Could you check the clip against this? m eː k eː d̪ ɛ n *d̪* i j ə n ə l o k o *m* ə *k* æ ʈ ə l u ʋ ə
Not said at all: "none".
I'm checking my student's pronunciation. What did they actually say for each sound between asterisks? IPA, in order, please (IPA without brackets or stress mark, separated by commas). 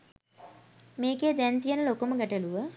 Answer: t̪, m, ɡ